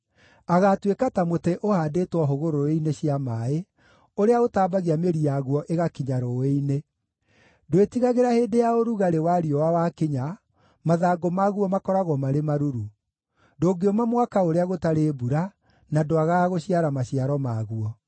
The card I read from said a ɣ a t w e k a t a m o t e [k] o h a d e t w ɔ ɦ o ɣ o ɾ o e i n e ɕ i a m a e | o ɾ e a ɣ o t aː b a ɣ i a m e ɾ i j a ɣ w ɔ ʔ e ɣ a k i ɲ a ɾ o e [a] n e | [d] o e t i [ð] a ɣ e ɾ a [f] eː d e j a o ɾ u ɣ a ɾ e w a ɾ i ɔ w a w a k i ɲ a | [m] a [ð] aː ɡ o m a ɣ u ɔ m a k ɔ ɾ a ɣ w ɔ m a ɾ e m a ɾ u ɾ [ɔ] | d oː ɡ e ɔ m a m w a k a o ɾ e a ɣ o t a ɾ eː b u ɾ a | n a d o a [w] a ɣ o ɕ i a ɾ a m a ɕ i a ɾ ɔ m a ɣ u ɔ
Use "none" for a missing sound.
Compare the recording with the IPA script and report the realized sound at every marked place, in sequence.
ʔ, i, d, ɣ, h, m, ð, u, ɣ

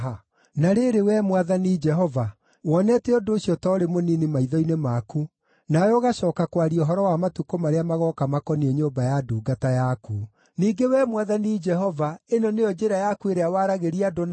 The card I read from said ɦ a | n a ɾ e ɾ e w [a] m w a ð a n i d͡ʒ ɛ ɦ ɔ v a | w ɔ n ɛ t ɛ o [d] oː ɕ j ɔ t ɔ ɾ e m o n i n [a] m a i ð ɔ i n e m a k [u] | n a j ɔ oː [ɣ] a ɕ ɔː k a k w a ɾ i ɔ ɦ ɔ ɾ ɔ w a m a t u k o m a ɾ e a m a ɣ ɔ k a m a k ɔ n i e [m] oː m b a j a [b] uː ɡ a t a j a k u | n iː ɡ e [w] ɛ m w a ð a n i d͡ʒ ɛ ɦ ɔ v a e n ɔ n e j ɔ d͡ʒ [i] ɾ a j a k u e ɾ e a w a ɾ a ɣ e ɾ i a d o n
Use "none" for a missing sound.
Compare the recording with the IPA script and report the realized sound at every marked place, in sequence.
ɛ, d, i, u, ɣ, ɲ, d, w, e

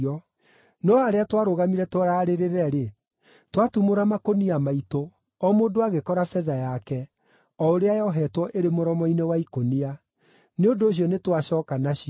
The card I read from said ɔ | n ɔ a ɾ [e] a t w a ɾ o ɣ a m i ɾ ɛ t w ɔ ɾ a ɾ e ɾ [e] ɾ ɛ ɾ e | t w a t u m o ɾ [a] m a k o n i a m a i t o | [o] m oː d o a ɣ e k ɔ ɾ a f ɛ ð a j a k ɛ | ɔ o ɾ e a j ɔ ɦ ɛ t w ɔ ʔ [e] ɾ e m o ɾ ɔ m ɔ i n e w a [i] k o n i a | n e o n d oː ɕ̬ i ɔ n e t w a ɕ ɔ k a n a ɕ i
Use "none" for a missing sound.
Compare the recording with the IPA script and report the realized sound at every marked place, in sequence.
e, e, a, ɔ, e, i

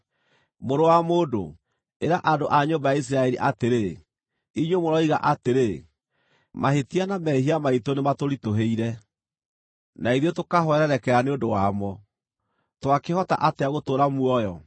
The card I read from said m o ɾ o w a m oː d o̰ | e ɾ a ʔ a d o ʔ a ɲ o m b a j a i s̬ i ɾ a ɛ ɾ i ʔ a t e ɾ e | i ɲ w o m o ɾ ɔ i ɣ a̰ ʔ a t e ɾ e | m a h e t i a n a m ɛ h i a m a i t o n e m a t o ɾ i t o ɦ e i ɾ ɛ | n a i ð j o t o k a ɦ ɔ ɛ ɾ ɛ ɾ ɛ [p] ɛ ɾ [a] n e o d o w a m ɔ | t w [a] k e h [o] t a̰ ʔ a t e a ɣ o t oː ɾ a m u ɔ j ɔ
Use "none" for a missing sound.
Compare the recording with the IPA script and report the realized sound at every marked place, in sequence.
k, a, a, ɔ

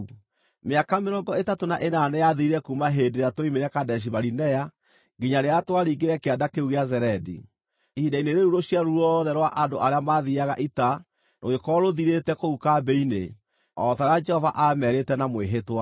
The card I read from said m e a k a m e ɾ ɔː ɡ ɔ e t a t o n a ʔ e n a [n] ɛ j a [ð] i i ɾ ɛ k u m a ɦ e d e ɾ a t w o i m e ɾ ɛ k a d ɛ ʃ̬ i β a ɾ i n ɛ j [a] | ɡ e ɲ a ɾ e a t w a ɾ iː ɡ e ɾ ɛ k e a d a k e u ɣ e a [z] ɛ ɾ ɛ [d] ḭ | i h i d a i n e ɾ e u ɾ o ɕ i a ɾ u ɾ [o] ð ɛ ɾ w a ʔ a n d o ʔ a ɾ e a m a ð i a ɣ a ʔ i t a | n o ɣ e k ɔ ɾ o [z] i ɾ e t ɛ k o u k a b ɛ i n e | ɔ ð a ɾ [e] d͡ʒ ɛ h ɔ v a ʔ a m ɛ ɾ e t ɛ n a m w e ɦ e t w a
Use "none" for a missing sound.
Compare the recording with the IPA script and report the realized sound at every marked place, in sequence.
n, ð, a, z, d, ɔ, ð, a

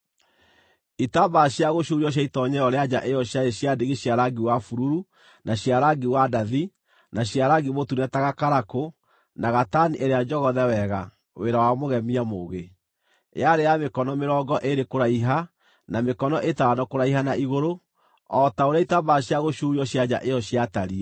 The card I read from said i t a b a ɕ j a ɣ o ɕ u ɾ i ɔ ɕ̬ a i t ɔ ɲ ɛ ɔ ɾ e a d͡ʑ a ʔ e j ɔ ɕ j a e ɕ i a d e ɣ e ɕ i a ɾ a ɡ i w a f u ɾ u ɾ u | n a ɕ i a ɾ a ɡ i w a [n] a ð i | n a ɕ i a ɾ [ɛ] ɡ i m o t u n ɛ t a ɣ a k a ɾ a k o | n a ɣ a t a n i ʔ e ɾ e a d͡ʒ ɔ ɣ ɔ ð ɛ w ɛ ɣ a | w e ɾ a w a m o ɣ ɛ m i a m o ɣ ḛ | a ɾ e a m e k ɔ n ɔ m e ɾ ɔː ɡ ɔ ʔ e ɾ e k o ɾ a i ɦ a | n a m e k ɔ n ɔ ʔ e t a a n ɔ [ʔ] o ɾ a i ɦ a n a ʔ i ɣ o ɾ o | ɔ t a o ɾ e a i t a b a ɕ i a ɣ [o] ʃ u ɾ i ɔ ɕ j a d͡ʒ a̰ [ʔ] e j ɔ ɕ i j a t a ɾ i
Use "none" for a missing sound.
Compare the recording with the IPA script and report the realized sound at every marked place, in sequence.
d, a, k, o, ʔ

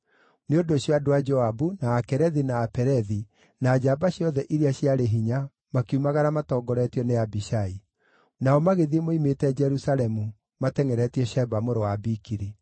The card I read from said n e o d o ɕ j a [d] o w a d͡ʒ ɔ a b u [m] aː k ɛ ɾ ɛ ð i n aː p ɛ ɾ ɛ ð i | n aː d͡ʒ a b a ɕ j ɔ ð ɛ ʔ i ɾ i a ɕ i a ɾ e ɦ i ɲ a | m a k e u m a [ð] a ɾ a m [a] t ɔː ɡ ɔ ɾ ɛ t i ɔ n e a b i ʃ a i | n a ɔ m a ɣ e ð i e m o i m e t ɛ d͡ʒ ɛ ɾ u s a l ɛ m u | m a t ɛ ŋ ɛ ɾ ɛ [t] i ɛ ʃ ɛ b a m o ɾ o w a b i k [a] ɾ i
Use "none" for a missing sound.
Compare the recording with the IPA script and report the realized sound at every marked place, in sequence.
d, n, ɣ, a, t, i

